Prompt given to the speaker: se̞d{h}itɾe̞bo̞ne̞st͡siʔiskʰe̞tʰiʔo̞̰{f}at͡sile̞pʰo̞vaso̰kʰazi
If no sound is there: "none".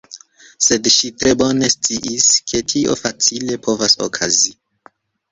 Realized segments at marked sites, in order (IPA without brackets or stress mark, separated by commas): ʃ, f